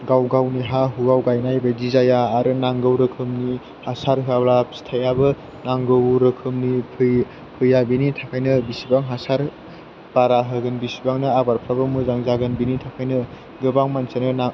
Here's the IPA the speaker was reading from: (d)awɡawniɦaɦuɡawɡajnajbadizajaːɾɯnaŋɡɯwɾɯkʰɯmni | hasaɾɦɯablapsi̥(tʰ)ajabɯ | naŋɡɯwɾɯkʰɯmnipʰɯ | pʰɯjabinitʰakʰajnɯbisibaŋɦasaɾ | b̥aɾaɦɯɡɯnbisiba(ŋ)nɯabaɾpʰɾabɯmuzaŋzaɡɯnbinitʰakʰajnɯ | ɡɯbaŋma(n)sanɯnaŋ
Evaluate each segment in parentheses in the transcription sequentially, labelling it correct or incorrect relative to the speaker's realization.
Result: incorrect, correct, correct, correct

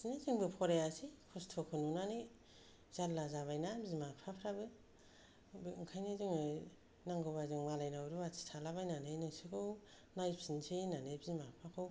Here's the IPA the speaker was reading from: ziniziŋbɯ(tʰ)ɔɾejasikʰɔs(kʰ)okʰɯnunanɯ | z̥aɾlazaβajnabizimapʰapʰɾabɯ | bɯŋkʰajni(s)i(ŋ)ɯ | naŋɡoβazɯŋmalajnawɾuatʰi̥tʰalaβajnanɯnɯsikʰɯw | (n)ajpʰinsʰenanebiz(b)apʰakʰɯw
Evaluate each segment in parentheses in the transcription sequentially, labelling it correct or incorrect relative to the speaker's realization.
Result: incorrect, incorrect, incorrect, correct, correct, incorrect

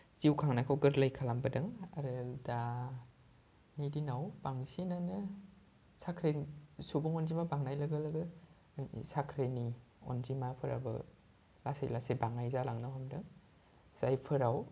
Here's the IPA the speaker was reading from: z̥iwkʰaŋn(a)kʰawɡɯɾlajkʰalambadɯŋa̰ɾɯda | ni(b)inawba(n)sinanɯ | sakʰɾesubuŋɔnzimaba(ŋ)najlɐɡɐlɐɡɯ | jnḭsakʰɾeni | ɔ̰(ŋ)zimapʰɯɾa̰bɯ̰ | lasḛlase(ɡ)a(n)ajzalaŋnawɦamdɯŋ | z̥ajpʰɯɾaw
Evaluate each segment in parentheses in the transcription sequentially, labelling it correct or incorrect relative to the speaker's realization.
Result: correct, incorrect, incorrect, correct, incorrect, incorrect, incorrect

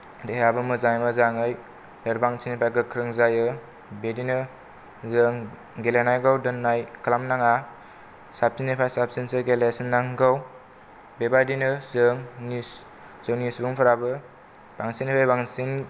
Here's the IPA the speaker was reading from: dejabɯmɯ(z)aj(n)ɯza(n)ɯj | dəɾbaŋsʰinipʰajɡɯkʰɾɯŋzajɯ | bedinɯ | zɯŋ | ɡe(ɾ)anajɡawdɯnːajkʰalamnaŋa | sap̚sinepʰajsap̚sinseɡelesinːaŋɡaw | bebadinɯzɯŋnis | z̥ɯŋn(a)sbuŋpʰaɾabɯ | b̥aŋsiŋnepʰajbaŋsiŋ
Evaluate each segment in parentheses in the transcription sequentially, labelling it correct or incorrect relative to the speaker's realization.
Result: correct, incorrect, incorrect, incorrect, incorrect

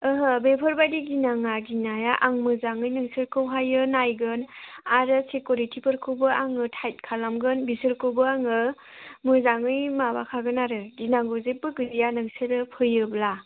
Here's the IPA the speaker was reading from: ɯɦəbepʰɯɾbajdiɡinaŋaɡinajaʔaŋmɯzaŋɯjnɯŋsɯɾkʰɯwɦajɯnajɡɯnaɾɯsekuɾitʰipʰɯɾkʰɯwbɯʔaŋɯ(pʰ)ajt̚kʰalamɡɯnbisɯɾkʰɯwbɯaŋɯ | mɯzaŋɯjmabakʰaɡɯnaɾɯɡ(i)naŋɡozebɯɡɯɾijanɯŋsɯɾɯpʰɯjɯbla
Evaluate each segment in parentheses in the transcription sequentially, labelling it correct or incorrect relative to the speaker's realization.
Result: incorrect, correct

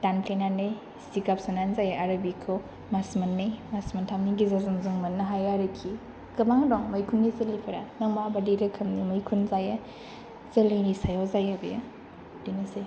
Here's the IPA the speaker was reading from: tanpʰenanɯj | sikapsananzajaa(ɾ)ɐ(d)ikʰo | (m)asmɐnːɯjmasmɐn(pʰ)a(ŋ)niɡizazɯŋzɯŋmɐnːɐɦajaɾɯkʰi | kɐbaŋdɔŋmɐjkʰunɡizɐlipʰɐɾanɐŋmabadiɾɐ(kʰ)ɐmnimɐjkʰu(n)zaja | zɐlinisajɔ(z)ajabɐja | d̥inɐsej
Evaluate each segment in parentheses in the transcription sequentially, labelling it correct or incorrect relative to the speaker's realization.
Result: correct, incorrect, correct, incorrect, incorrect, correct, correct, correct

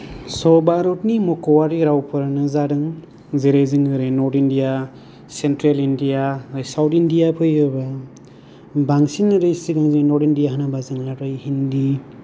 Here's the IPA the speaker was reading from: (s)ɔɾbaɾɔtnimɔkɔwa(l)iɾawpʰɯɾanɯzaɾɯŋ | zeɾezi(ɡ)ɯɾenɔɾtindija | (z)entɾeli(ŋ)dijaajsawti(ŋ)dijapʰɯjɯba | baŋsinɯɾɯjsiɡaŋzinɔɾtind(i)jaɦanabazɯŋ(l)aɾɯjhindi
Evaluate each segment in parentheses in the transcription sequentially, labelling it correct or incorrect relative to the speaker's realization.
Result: correct, incorrect, incorrect, incorrect, incorrect, incorrect, correct, correct

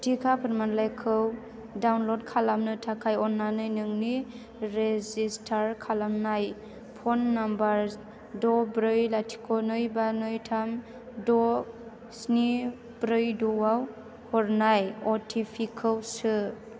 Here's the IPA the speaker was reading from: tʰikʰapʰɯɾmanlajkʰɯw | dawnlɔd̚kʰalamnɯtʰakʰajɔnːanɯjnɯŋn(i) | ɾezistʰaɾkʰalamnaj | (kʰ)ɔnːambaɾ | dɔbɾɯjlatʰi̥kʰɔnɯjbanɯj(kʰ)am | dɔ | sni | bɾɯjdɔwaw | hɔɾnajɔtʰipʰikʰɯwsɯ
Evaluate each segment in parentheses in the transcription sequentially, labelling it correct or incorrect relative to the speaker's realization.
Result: correct, incorrect, incorrect

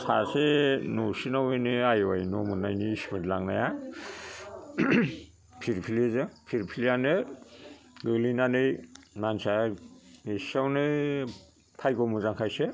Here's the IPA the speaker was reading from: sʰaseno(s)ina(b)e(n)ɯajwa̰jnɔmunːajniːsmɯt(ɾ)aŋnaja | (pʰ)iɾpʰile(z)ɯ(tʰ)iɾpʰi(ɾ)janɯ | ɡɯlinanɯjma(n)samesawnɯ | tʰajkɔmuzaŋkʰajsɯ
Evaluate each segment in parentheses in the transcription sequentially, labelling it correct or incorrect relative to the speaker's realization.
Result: correct, incorrect, correct, incorrect, correct, correct, incorrect, incorrect, correct

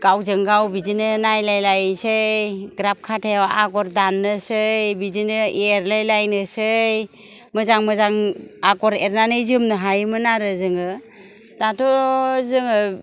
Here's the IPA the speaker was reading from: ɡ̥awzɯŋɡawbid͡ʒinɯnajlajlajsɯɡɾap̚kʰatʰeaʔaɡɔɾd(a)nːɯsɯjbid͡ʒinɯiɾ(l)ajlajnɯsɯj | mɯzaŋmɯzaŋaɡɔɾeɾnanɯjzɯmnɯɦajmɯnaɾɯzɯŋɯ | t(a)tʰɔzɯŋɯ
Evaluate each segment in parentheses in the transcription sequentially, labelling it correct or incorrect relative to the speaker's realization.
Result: correct, correct, correct

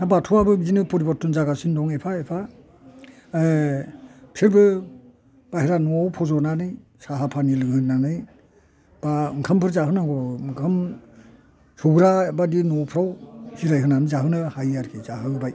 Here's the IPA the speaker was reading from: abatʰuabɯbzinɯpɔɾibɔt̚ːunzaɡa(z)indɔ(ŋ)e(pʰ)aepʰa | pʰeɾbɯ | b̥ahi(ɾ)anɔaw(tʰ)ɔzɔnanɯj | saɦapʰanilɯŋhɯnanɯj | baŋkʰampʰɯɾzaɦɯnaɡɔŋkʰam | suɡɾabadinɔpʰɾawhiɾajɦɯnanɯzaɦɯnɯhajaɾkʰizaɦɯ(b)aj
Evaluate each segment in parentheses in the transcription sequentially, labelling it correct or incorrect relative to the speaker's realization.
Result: incorrect, correct, correct, correct, incorrect, correct

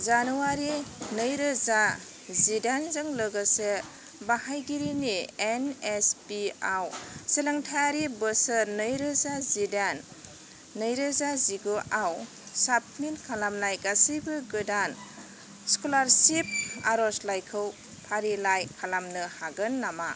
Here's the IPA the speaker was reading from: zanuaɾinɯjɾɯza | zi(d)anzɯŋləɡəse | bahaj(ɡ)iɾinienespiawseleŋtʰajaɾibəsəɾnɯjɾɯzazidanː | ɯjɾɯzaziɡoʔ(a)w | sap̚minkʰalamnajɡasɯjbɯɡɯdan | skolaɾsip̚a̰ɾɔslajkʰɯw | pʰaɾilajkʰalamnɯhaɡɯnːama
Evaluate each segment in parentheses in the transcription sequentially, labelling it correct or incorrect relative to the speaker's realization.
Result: correct, correct, correct

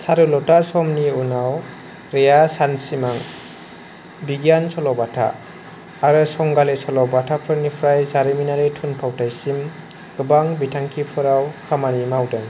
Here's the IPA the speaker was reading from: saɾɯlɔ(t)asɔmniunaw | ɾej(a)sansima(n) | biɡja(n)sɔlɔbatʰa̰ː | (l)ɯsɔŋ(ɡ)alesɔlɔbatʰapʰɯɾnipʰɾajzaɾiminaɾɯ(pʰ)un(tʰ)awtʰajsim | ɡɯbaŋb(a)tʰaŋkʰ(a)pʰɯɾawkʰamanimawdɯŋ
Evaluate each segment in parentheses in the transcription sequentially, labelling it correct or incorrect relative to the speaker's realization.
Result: correct, correct, incorrect, correct, incorrect, correct, incorrect, incorrect, incorrect, incorrect

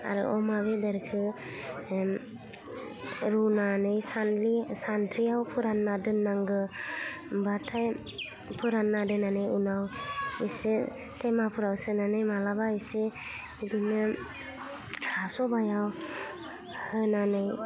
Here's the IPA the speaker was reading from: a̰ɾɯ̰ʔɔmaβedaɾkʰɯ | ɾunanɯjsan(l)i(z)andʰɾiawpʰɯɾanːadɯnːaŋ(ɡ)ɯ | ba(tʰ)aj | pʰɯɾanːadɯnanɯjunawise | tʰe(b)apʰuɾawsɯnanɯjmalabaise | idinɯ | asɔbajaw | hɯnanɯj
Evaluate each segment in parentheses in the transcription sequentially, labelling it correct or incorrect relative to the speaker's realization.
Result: correct, incorrect, correct, correct, incorrect

